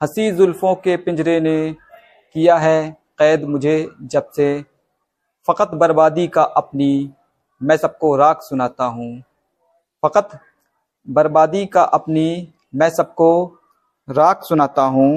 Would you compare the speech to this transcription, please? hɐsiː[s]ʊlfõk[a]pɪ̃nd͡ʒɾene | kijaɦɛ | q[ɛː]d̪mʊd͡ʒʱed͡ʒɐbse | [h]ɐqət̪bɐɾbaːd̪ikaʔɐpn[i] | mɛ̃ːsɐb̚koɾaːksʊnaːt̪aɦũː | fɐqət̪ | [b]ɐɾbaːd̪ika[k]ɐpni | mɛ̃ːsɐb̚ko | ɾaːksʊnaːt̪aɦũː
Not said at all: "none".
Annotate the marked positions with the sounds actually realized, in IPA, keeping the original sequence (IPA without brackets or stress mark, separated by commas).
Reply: z, e, ɛː, f, i, b, ʔ